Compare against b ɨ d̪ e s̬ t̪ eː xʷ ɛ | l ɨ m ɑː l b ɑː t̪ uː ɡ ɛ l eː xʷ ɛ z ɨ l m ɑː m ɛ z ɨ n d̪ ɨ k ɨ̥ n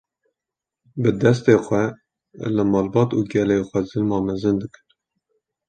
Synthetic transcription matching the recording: b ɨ d̪ ɛ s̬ t̪ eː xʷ ɛ | l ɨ m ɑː l b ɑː t̪ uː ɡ ɛ l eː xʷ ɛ z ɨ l m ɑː m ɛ z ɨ n d̪ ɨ k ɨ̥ n